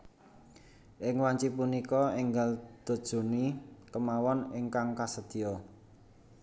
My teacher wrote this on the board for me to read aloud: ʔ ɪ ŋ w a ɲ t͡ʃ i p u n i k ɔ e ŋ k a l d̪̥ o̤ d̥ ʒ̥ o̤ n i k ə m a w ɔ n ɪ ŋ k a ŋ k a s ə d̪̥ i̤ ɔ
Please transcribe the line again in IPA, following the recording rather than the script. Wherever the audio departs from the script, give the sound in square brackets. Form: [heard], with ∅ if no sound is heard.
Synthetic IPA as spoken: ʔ ɪ ŋ w a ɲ t͡ʃ i p u n i k ɔ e ŋ [ɡ] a l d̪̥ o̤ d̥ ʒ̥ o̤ n i k ə m a w ɔ n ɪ ŋ k a ŋ k a s ə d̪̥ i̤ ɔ